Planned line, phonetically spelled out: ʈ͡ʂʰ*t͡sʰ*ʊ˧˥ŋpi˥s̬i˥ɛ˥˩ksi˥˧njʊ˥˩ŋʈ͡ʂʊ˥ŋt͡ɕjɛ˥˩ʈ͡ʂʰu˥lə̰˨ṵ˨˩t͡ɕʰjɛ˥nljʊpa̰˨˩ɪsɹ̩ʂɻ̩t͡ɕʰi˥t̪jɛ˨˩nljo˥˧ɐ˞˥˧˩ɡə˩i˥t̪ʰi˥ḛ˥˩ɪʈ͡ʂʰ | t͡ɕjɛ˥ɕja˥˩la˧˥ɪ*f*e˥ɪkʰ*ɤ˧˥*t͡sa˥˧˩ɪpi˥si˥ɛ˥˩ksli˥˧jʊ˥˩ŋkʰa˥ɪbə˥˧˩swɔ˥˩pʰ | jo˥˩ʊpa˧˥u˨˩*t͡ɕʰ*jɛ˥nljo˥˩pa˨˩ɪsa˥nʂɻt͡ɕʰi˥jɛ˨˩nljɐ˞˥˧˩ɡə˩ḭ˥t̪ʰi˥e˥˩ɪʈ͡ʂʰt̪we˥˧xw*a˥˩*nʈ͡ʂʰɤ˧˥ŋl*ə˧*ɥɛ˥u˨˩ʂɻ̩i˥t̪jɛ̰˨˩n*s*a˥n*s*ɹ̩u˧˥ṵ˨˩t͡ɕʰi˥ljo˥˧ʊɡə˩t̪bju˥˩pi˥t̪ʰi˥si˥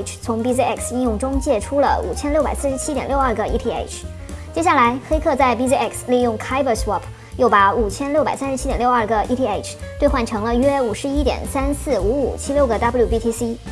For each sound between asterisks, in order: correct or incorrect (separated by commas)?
correct, incorrect, incorrect, correct, correct, correct, correct, correct